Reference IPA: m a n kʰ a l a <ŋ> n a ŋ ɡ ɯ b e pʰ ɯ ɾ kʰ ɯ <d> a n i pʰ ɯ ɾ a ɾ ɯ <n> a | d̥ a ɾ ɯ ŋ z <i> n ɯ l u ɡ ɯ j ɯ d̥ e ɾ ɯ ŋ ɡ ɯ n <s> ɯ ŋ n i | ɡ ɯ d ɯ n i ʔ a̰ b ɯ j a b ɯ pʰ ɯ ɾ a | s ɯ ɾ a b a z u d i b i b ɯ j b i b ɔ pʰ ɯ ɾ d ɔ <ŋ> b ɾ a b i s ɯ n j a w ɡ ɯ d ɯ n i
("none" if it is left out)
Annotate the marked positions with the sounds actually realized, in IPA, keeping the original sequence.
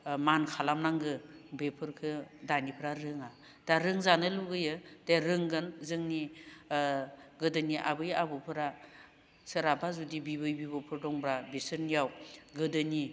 m, d, ŋ, a, z, ŋ

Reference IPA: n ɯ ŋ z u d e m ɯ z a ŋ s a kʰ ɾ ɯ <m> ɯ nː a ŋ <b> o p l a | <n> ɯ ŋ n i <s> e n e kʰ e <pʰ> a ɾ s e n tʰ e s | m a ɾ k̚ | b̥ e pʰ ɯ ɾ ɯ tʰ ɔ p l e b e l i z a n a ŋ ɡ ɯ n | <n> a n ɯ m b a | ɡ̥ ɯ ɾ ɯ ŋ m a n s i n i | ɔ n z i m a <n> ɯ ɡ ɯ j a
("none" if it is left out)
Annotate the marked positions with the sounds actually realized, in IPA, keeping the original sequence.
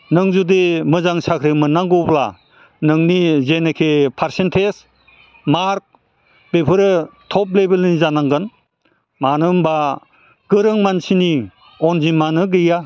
m, ɡ, n, z, pʰ, m, n

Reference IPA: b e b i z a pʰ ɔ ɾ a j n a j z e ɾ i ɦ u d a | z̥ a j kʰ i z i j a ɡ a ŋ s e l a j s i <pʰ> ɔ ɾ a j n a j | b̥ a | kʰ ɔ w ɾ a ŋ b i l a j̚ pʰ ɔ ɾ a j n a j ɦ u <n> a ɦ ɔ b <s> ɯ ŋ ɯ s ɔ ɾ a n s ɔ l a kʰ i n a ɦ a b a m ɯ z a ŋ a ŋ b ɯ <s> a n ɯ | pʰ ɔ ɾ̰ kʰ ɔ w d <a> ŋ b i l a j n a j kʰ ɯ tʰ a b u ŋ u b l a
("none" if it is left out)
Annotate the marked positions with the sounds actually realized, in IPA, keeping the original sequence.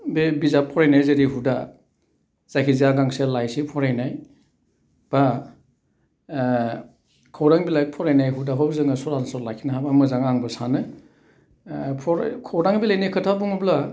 pʰ, d, z, s, a

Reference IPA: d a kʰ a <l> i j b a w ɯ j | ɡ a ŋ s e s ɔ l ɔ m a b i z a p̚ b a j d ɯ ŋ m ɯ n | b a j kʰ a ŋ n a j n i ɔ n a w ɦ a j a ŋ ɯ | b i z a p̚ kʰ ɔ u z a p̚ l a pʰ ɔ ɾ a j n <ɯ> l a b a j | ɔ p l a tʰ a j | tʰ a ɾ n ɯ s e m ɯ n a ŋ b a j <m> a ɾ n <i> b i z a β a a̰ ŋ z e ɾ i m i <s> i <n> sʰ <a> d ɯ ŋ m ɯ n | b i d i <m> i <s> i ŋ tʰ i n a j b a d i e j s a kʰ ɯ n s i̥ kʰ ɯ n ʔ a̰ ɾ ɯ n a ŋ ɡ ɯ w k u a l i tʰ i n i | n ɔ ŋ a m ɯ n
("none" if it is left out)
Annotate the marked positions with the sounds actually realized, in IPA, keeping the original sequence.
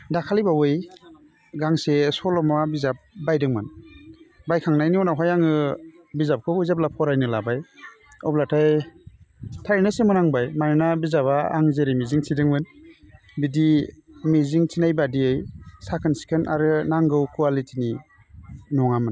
l, ɯ, m, a, z, ŋ, i, m, z

